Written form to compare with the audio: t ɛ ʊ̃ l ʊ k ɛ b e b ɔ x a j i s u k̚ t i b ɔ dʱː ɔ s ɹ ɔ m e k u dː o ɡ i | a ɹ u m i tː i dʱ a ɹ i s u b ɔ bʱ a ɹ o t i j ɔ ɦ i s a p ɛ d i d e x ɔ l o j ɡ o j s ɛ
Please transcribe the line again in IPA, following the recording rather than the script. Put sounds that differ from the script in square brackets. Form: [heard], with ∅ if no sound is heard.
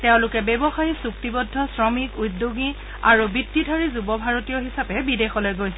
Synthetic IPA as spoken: t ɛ ʊ̃ l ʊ k ɛ b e b ɔ x a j i s u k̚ t i b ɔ dʱː ɔ s ɹ ɔ m [i] k u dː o ɡ i | a ɹ u [b] i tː i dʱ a ɹ i [z] u b ɔ bʱ a ɹ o t i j ɔ ɦ i s a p ɛ [b] i d e x ɔ l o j ɡ o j s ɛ

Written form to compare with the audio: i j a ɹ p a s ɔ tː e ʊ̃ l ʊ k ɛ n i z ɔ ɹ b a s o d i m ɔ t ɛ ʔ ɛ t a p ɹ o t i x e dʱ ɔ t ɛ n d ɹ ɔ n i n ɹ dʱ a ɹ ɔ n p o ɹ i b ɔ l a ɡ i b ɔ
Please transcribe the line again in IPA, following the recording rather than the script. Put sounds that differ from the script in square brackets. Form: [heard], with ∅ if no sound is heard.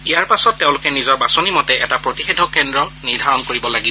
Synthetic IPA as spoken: i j a ɹ p a s ɔ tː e ʊ̃ l ʊ k ɛ n i z ɔ ɹ b a s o [n] i m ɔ t ɛ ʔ ɛ t a p ɹ o t i x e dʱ ɔ [k] ɛ n d ɹ ɔ n i [∅] ɹ dʱ a ɹ ɔ n [k] o ɹ i b ɔ l a ɡ i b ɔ

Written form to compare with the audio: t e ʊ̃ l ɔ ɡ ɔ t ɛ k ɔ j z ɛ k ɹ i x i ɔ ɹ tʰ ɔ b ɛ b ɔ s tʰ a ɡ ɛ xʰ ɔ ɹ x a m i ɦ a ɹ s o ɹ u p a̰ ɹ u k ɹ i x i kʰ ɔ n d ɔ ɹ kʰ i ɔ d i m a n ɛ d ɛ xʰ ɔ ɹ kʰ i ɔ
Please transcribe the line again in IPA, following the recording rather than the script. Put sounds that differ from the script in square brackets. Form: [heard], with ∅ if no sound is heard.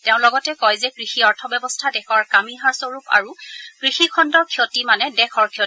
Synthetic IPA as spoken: t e ʊ̃ l ɔ ɡ ɔ t ɛ k ɔ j z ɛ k ɹ i x i ɔ ɹ tʰ ɔ b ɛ b ɔ s tʰ a [d] ɛ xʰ ɔ ɹ [k] a m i ɦ a ɹ s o ɹ u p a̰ ɹ u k ɹ i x i kʰ ɔ n d ɔ ɹ kʰ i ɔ [t] i m a n ɛ d ɛ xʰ ɔ ɹ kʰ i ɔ

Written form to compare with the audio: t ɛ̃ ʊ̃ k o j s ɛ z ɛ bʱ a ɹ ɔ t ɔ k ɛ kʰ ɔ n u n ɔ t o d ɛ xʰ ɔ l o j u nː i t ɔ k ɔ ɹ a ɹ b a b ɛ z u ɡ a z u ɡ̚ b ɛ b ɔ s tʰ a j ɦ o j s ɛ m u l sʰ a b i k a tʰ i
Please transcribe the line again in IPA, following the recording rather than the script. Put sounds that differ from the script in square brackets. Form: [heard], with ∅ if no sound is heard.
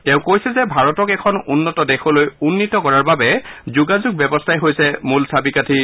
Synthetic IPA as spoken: t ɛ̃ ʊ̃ k o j s ɛ z ɛ bʱ a ɹ ɔ t ɔ k ɛ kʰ ɔ n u [nː] ɔ t [ɔ] d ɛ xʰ ɔ l o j u nː i t ɔ k ɔ ɹ a ɹ b a b ɛ z u ɡ a z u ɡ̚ b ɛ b ɔ s tʰ a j ɦ o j s ɛ m u l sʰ a b i k a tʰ i

